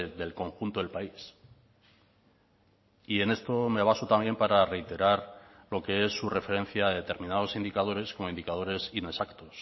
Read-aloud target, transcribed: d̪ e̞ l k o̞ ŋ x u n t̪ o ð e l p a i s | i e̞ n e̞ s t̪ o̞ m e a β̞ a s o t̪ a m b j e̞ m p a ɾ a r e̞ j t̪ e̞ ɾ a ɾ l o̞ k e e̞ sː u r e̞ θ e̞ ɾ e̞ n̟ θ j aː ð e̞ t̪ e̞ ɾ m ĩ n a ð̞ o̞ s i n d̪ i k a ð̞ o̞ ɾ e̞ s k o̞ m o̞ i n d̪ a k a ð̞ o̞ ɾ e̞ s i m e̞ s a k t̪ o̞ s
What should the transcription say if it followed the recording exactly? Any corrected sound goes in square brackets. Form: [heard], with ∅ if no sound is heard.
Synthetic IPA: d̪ e̞ l k o̞ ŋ x u n t̪ o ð e l p a i s | i e̞ n e̞ s t̪ o̞ m e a β̞ a s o t̪ a m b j e̞ m p a ɾ a r e̞ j t̪ e̞ ɾ a ɾ l o̞ k e e̞ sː u r e̞ [f] e̞ ɾ e̞ n̟ θ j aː ð e̞ t̪ e̞ ɾ m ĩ n a ð̞ o̞ s i n d̪ i k a ð̞ o̞ ɾ e̞ s k o̞ m o̞ i n d̪ [i] k a ð̞ o̞ ɾ e̞ s i [n] e̞ s a k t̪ o̞ s